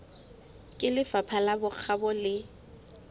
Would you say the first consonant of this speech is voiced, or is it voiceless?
voiceless